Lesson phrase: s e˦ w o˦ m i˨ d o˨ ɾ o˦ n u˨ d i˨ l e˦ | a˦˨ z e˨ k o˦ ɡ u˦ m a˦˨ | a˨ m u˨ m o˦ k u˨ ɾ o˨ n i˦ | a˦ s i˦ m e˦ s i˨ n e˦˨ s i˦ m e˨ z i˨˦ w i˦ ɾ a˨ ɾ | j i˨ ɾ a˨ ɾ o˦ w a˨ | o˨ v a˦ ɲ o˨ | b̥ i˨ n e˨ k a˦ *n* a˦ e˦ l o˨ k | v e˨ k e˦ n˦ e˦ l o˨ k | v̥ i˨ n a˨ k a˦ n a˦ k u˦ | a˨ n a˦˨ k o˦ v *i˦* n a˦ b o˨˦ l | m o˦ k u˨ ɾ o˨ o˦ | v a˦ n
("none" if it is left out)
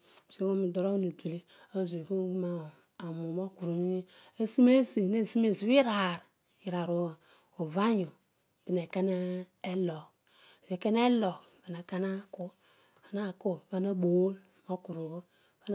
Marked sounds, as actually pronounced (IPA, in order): n, a˦

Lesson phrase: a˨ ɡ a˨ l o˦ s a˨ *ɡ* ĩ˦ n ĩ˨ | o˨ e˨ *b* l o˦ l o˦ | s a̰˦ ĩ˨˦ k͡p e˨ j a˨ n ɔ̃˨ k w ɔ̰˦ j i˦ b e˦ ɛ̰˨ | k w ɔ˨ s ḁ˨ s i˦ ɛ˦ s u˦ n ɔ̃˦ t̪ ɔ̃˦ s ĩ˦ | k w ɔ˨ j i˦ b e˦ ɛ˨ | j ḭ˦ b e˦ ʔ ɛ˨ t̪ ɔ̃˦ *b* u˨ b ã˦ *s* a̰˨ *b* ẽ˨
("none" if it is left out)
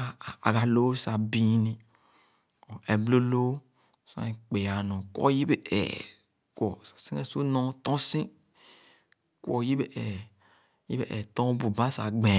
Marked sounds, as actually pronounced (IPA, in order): b, b, b, s, ɡ͡b

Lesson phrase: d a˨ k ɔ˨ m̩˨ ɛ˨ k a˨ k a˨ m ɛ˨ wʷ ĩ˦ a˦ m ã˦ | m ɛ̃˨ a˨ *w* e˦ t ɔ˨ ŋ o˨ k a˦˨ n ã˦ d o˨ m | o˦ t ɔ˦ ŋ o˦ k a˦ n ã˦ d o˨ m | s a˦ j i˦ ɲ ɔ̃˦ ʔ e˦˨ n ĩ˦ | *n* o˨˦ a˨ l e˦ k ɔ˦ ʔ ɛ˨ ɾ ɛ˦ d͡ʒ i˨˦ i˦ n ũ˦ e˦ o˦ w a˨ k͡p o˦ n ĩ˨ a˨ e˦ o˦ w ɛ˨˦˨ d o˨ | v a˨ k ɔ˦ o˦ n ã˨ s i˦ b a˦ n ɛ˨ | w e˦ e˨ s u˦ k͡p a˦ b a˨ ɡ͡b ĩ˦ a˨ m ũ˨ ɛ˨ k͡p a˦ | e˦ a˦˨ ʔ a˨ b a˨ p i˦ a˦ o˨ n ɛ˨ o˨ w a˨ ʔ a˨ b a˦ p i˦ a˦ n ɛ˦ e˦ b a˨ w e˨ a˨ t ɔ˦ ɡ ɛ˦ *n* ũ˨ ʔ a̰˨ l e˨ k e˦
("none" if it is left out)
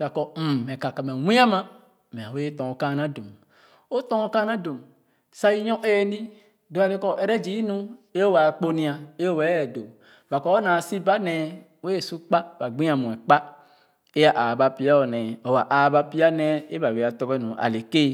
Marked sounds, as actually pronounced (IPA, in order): w, d, n

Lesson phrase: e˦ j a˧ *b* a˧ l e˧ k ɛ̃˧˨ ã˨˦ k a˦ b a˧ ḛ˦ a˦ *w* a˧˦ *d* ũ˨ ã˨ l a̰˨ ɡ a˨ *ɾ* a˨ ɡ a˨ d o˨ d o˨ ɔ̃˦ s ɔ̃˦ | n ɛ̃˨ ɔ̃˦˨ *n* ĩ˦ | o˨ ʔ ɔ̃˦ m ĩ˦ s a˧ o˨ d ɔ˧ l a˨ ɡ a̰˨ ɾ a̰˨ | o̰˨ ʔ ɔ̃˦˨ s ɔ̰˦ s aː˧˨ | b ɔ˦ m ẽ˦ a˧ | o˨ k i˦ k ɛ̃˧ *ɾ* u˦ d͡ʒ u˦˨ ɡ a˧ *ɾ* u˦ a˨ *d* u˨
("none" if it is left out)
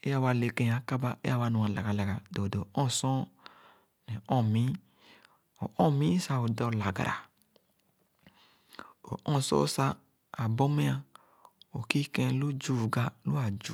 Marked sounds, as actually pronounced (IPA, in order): w, w, n, l, m, l, l, d͡ʒ

